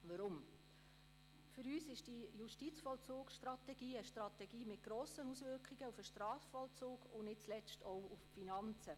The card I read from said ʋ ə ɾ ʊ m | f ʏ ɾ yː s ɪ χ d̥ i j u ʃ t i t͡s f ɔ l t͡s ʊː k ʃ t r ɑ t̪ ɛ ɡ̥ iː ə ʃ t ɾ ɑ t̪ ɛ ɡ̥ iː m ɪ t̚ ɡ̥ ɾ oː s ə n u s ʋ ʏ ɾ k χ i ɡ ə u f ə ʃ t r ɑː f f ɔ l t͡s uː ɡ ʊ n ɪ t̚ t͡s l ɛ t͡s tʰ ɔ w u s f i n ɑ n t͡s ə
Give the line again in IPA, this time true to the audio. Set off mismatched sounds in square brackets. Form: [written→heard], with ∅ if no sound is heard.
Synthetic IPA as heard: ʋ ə ɾ ʊ m | f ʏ ɾ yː s ɪ [χ→ʃ] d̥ i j u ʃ t i t͡s f ɔ l t͡s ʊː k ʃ t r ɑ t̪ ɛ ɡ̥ iː ə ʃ t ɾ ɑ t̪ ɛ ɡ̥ iː m ɪ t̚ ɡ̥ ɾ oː s ə n u s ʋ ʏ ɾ k χ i ɡ ə u f ə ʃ t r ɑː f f ɔ l t͡s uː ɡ ʊ n ɪ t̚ t͡s l ɛ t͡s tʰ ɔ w u [s→f] f i n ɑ n t͡s ə